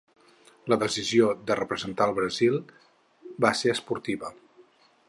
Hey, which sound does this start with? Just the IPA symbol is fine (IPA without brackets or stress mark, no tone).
l